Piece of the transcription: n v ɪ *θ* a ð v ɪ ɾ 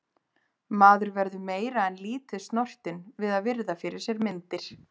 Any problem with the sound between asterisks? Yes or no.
yes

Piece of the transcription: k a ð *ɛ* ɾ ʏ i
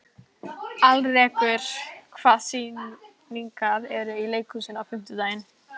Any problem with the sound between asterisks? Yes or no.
no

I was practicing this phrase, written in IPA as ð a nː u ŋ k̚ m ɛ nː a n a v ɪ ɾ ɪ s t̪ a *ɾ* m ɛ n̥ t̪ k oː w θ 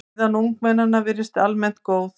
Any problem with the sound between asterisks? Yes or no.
yes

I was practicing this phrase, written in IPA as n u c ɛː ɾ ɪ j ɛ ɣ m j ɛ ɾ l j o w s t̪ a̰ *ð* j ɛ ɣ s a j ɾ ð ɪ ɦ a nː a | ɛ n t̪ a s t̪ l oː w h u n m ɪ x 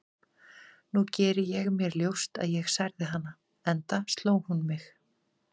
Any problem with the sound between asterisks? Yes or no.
no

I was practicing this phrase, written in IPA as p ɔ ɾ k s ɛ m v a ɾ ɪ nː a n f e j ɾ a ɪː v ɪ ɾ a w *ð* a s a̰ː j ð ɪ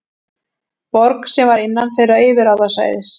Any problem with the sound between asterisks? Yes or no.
no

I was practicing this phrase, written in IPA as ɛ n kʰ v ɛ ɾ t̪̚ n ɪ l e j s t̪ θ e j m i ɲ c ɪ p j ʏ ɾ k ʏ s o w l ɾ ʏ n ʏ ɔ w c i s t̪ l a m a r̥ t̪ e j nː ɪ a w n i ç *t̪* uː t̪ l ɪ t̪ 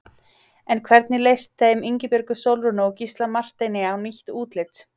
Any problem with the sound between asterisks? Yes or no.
no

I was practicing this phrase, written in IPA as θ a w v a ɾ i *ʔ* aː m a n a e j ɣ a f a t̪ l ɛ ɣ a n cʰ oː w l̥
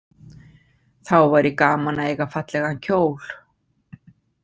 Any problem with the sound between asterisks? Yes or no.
yes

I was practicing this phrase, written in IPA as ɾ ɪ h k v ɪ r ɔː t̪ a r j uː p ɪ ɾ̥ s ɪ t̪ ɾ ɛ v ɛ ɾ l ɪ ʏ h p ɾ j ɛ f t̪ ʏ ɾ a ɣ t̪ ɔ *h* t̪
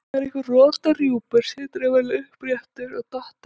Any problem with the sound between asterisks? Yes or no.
no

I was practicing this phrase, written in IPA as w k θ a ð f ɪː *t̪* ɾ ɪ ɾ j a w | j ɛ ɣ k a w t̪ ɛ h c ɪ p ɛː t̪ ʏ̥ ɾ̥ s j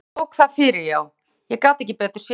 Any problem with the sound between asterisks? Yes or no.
yes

